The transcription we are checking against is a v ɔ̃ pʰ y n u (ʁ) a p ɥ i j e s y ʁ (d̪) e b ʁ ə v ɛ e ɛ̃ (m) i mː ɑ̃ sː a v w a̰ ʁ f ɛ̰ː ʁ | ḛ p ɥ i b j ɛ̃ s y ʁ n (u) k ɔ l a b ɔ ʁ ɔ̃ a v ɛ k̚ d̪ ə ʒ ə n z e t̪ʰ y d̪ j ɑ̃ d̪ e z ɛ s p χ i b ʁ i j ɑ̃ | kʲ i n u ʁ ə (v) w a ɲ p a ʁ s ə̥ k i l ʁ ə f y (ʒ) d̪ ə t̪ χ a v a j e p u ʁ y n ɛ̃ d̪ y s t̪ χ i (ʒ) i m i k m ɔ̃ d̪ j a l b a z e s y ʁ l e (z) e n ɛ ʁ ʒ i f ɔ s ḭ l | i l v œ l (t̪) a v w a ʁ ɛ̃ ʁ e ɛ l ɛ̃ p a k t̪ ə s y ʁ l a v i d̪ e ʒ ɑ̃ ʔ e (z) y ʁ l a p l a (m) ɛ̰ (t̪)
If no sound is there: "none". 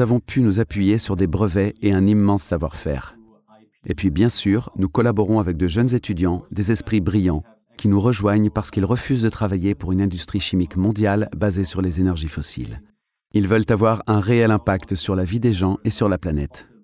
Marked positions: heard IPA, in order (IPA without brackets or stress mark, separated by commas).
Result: z, d̪, n, u, ʒ, z, ʃ, z, t̪, s, n, t̪